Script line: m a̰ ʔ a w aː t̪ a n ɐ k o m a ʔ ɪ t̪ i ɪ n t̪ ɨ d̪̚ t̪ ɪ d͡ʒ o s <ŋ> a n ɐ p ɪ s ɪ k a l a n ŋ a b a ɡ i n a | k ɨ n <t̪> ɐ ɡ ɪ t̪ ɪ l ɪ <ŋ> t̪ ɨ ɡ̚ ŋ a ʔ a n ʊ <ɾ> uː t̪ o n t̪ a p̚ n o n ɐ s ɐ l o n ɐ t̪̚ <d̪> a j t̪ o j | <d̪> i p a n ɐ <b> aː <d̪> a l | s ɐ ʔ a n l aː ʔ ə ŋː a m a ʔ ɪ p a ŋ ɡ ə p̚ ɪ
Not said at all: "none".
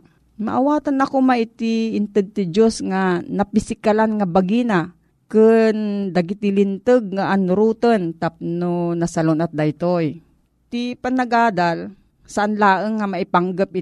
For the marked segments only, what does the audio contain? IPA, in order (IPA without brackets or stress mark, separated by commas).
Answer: ŋ, d̪, n, ɾ, d̪, t̪, ɡ, d̪